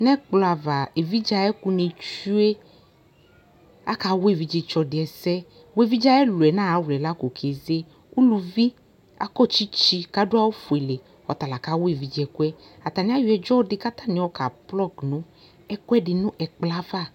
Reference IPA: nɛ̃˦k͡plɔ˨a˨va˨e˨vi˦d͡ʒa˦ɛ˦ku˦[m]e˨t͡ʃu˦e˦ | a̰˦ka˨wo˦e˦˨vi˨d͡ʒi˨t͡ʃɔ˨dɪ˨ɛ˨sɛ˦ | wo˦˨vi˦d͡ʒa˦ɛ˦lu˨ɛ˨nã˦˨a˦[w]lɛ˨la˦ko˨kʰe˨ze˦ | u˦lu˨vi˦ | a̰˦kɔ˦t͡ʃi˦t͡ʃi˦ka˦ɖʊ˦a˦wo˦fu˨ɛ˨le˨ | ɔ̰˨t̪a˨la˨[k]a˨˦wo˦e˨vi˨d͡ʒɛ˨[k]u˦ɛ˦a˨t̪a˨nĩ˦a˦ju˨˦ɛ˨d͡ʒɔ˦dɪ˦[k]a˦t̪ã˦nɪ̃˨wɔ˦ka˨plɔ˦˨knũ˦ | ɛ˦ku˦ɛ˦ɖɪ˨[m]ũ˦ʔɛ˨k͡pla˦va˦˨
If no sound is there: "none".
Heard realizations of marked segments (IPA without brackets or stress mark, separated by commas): n, w, k, k, k, n